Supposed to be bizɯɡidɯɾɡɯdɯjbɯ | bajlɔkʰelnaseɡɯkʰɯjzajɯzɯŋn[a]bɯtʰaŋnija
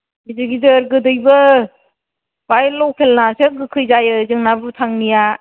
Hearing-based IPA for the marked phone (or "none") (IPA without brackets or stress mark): a